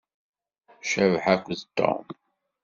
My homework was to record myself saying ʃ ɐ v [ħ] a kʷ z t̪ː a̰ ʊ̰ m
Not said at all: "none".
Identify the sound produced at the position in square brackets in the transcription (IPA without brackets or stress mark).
ħ